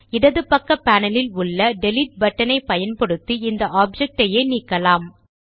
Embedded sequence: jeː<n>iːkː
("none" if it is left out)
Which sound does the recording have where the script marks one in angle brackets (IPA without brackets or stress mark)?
n